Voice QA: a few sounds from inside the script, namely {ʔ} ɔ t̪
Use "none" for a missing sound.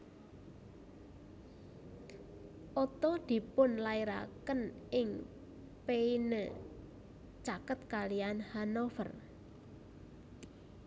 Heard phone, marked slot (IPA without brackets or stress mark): ʔ